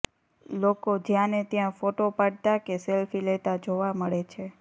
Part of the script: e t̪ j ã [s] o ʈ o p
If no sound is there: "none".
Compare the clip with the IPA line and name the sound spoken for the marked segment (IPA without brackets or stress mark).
f